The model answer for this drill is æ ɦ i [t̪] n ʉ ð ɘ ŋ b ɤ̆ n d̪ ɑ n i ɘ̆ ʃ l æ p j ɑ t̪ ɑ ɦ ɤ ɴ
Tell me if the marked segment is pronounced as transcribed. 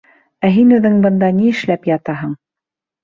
no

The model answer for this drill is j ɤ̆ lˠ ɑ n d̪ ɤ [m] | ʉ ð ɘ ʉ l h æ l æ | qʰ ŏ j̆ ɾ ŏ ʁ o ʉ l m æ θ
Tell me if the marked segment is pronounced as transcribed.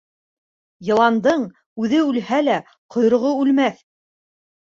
no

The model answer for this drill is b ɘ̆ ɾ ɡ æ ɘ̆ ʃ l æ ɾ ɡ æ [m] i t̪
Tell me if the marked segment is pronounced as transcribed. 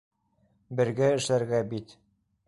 no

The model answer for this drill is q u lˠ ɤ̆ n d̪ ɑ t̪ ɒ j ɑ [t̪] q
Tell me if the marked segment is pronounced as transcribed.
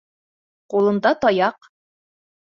no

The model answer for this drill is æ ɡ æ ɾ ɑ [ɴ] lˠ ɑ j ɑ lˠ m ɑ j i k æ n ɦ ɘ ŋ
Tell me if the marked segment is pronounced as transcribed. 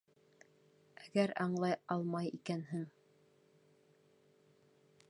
yes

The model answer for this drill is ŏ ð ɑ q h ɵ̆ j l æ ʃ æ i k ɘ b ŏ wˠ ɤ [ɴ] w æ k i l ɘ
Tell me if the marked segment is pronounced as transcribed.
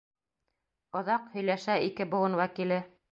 no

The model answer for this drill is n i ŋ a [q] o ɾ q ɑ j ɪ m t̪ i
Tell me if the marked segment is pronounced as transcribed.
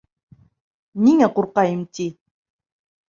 yes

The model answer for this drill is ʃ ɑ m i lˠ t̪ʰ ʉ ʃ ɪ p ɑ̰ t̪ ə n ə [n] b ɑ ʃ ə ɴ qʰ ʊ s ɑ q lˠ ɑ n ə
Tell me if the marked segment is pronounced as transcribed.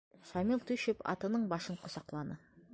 no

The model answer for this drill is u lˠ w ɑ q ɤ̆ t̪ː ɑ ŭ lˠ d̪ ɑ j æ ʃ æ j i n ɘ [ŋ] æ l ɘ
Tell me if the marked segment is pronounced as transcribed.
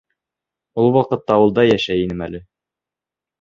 no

